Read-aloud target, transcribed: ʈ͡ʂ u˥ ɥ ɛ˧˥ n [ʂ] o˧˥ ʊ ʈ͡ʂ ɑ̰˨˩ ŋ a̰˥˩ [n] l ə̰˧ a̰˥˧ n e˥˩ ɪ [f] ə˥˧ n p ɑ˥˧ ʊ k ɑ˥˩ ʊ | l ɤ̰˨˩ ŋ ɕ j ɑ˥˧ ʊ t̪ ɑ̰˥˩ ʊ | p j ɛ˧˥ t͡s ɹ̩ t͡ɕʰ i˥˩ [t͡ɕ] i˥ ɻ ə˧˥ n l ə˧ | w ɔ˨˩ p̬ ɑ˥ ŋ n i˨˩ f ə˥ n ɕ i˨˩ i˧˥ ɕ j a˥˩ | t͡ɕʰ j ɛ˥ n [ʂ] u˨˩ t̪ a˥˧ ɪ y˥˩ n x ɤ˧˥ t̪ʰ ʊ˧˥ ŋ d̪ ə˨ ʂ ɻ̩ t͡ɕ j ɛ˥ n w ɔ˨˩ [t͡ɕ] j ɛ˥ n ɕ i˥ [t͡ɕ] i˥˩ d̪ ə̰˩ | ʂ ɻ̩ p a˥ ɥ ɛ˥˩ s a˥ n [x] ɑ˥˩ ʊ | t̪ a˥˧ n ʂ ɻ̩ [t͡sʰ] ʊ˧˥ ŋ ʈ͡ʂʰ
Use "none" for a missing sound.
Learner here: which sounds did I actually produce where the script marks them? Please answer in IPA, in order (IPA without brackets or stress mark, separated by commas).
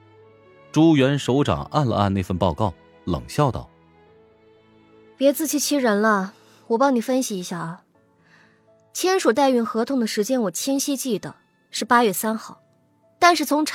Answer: ʂ, n, f, t͡ɕʰ, ʂ, t͡ɕʰ, t͡ɕ, x, t͡sʰ